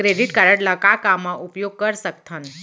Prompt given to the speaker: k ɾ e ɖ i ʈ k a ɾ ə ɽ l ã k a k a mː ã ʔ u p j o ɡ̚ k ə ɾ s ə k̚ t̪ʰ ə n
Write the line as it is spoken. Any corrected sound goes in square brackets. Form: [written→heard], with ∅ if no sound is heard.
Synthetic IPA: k ɾ e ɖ i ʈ k a ɾ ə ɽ l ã k a k a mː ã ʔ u p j o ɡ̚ k ə ɾ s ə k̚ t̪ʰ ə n